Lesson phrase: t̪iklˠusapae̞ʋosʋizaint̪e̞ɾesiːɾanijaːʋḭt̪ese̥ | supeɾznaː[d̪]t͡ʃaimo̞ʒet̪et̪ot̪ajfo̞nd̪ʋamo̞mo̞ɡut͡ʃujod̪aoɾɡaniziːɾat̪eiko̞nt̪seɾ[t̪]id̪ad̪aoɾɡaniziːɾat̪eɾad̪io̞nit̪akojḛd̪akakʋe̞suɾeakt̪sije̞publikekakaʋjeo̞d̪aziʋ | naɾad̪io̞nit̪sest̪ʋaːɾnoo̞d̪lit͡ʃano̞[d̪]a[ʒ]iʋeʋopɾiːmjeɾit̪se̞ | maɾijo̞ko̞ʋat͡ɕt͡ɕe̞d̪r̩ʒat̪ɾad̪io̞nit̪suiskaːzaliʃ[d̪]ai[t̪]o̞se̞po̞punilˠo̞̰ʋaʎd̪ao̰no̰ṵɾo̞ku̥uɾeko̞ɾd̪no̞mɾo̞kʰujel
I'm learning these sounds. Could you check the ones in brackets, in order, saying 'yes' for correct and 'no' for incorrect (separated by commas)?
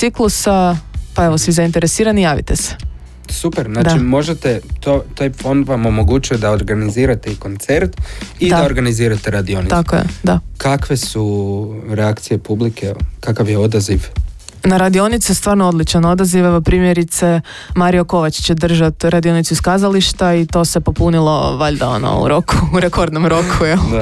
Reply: yes, yes, yes, no, no, yes